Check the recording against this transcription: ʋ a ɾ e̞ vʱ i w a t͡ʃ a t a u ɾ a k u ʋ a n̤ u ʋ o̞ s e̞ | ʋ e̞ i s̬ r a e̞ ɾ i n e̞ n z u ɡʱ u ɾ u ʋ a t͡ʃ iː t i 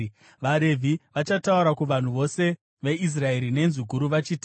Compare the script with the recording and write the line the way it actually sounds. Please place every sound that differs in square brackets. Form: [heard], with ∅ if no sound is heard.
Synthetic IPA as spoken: ʋ a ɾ e̞ vʱ i [ʋ] a t͡ʃ a t a u ɾ a k u ʋ a n̤ u ʋ o̞ s e̞ | ʋ e̞ i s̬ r a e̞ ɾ i n e̞ n z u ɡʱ u ɾ u ʋ a t͡ʃ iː t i